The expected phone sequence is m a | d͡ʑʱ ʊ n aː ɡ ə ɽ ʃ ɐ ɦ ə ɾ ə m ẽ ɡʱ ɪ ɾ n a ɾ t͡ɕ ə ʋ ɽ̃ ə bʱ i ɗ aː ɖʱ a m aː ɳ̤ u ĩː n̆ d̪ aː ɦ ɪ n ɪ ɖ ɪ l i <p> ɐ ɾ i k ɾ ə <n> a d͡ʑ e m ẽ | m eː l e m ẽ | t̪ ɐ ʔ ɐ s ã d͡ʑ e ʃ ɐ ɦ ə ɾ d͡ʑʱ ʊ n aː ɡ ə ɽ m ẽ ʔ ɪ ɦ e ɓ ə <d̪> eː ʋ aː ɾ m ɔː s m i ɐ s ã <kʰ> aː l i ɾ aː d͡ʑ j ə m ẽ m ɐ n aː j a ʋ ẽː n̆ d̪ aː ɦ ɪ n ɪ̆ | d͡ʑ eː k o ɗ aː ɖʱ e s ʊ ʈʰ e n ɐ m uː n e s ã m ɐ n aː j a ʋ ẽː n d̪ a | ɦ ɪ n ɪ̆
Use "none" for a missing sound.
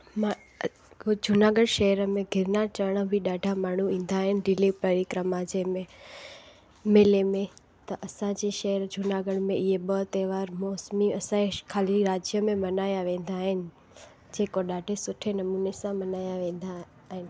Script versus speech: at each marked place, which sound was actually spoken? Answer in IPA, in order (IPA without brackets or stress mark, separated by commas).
p, m, t̪, kʰ